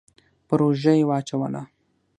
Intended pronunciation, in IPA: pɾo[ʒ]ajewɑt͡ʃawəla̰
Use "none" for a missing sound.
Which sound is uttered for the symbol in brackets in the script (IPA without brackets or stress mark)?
ʒ